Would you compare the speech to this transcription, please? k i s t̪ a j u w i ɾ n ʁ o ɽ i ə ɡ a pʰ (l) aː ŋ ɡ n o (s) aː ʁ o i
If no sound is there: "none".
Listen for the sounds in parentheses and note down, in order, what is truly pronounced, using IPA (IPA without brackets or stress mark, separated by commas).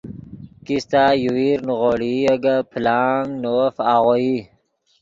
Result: l, f